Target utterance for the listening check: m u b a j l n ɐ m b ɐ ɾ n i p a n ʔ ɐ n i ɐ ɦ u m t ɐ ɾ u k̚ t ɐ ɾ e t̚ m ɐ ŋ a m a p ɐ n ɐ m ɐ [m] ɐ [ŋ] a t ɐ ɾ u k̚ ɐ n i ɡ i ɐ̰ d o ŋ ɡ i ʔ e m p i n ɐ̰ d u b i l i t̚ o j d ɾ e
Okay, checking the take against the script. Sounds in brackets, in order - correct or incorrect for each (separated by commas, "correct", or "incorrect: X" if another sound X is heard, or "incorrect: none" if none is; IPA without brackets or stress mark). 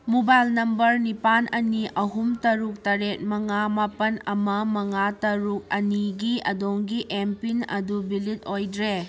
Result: correct, correct